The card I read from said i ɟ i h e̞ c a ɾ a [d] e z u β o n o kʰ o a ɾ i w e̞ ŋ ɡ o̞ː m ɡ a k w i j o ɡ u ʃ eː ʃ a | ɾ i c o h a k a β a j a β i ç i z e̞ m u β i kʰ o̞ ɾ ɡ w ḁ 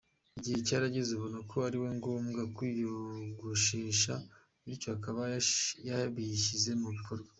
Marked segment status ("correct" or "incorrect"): incorrect